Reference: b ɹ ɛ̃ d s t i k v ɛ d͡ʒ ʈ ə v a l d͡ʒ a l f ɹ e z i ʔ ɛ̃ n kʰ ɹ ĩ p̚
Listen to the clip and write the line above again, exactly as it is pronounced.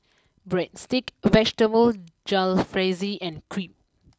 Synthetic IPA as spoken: b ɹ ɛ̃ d s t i k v ɛ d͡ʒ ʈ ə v ə l d͡ʒ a l f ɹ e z i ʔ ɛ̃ n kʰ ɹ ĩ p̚